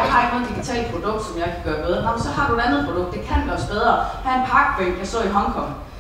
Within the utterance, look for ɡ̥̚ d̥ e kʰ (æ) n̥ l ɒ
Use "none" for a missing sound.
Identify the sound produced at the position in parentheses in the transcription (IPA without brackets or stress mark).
æ